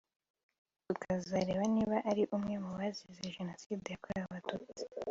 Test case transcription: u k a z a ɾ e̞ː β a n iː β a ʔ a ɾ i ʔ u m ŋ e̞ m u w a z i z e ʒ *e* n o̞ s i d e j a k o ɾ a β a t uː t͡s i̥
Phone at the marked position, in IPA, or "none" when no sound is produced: e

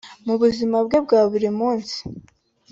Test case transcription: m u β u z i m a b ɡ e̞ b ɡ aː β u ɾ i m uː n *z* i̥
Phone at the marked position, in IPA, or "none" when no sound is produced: s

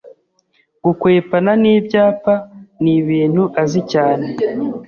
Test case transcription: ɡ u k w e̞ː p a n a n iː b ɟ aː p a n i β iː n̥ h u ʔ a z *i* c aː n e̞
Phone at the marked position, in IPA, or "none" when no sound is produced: i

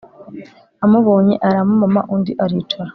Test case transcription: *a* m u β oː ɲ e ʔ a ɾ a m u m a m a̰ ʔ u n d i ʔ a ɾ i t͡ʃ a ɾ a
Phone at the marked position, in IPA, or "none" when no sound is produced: a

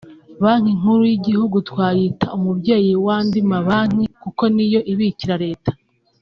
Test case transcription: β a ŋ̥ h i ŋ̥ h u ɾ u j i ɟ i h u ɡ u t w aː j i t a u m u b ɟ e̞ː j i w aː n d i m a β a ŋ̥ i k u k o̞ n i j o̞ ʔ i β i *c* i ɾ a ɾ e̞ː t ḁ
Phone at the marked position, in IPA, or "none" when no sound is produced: c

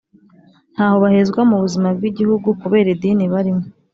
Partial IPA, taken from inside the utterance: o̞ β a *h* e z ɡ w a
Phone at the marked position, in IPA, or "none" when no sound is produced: h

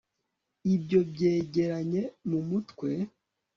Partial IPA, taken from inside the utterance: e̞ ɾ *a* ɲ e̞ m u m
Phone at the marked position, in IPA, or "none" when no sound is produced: a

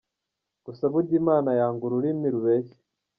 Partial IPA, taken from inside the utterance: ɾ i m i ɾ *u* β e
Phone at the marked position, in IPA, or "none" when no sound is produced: u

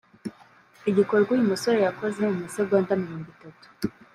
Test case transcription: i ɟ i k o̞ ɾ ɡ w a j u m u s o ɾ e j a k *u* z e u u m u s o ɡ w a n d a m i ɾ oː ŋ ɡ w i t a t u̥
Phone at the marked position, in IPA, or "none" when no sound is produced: o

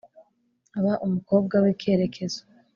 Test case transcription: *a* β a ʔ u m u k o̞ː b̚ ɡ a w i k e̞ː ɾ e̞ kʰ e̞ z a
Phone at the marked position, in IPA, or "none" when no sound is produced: a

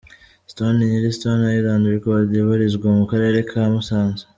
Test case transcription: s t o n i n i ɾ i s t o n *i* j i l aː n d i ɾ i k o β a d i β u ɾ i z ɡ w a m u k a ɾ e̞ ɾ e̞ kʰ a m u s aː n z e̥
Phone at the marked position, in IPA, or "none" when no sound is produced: a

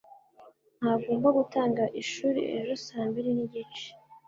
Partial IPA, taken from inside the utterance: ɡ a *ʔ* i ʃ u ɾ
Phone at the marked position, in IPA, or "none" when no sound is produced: ʔ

